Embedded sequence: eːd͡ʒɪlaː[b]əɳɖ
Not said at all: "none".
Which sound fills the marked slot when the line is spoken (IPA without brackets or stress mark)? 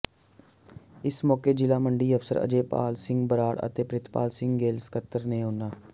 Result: m